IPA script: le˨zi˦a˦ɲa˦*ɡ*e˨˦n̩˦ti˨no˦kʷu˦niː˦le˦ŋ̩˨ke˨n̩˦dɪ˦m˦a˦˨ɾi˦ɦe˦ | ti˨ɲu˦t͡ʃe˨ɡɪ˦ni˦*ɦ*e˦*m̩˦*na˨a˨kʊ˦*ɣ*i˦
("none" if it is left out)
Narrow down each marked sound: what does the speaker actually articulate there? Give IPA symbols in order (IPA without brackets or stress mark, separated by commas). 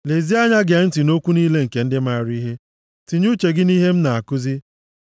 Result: ɡ, ɦ, m̩˦, z